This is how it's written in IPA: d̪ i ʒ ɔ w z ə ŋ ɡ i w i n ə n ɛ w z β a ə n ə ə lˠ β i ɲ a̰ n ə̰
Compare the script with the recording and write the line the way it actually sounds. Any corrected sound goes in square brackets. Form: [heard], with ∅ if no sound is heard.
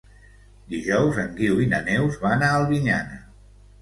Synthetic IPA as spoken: d̪ i ʒ ɔ w z ə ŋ ɡ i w i n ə n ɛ w z β a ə n [a] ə lˠ β i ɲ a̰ n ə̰